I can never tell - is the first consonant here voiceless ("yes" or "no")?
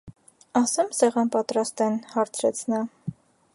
yes